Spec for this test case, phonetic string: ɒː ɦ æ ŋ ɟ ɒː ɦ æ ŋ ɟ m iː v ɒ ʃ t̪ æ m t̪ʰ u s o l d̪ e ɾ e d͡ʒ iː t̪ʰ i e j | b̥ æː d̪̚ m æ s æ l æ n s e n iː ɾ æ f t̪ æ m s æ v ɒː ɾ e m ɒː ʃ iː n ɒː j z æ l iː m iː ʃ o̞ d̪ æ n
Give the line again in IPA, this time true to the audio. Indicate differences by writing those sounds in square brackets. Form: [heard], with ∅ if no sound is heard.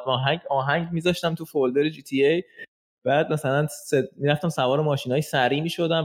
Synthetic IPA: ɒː ɦ æ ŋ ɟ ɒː ɦ æ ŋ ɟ m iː [z] ɒ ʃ t̪ æ m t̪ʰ u [f] o l d̪ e ɾ e d͡ʒ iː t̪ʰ i e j | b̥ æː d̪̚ m æ s æ l æ n s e [m] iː ɾ æ f t̪ æ m s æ v ɒː ɾ e m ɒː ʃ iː n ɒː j [s] æ [ɾ] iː m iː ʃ o̞ d̪ æ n